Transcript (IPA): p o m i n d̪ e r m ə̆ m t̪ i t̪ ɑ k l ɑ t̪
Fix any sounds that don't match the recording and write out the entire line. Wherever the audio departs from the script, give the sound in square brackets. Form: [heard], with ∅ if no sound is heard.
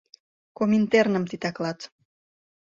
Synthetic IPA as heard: [k] o m i n [t̪] e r [n] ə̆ m t̪ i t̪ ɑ k l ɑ t̪